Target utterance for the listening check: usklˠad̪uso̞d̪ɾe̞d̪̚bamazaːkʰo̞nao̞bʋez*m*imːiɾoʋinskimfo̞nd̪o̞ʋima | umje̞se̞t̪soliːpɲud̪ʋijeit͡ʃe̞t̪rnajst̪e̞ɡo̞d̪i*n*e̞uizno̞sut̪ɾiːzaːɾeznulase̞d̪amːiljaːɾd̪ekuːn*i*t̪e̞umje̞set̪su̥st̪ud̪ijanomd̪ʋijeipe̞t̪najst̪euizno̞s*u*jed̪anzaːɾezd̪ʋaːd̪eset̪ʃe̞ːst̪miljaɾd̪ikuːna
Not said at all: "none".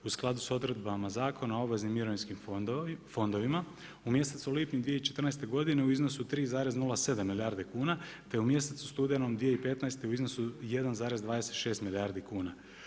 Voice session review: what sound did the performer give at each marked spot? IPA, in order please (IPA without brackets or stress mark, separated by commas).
n, n, a, u